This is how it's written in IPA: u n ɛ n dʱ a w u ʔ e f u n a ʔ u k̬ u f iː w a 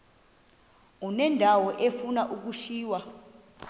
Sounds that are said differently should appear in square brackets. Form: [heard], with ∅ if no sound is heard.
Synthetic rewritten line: u n ɛ n dʱ a w [ɔ] ʔ e f u n a ʔ u k̬ u [ʃ] iː w a